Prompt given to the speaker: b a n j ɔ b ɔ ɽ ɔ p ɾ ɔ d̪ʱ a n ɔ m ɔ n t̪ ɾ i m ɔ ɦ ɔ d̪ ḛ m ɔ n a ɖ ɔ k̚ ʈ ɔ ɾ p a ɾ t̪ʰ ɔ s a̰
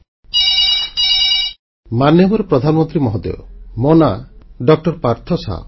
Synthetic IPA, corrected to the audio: m a n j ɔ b ɔ ɾ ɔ p ɾ ɔ d̪ʱ a n ɔ m ɔ n t̪ ɾ i m ɔ ɦ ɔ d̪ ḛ m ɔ n a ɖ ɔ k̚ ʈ ɔ ɾ p a ɾ t̪ʰ ɔ s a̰